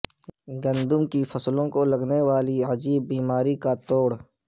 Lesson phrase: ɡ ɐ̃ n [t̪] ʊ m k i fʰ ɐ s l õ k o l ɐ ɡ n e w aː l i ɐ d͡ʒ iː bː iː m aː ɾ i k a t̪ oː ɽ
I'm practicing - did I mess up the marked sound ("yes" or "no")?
yes